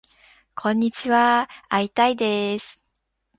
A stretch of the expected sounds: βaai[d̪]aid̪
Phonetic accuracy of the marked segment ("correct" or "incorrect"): incorrect